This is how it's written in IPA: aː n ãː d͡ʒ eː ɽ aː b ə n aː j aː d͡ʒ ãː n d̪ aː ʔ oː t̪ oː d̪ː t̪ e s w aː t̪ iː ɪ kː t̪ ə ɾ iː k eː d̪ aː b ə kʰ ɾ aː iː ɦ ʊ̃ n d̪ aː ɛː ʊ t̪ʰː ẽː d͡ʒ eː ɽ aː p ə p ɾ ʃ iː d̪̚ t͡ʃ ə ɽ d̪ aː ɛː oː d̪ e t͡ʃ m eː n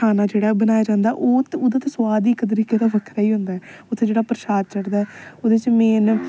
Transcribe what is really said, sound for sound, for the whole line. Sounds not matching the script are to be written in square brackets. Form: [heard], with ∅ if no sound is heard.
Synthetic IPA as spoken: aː n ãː d͡ʒ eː ɽ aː b ə n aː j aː d͡ʒ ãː n d̪ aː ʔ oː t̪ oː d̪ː t̪ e s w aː [d̪] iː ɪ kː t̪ ə ɾ iː k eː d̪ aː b ə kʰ ɾ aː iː ɦ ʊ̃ n d̪ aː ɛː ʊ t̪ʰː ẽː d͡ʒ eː ɽ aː p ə [∅] ɾ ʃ [aː] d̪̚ t͡ʃ ə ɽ d̪ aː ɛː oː d̪ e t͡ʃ m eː n